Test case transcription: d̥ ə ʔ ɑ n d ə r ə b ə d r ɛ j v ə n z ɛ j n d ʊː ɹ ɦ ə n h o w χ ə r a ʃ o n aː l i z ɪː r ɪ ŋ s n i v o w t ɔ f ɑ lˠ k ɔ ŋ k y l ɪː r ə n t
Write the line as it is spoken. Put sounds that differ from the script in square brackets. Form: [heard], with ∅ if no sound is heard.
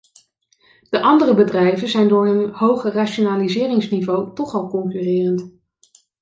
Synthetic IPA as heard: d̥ ə ʔ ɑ n d ə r ə b ə d r ɛ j v ə n z ɛ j n d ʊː ɹ ɦ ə n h o w χ ə r a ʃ o n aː l i z ɪː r ɪ ŋ s n i v o w t ɔ [χ] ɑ lˠ k ɔ ŋ k y [r] ɪː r ə n t